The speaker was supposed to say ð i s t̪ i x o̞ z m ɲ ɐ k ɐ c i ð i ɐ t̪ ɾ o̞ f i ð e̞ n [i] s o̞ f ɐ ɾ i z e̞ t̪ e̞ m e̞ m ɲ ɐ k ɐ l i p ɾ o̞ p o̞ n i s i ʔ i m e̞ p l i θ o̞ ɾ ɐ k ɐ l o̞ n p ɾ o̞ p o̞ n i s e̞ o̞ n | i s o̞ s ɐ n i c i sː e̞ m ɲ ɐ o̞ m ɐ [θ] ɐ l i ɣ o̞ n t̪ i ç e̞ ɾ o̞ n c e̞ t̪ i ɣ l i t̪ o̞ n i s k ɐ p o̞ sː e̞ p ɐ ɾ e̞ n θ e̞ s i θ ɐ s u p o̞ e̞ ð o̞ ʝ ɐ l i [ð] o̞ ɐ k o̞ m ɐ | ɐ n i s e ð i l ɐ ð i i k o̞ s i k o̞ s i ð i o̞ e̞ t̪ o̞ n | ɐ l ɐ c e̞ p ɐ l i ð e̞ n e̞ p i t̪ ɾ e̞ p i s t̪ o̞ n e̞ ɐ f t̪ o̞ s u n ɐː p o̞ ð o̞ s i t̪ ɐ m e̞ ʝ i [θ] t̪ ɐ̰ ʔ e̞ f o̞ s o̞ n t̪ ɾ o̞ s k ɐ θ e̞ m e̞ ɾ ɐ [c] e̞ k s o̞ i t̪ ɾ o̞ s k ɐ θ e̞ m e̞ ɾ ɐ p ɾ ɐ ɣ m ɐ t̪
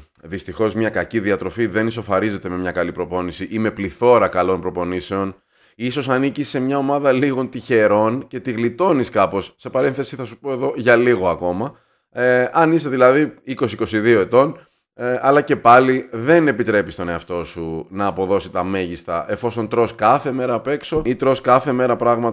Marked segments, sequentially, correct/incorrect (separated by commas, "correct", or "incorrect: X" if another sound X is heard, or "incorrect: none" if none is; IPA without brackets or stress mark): correct, incorrect: ð, incorrect: ɣ, incorrect: s, incorrect: p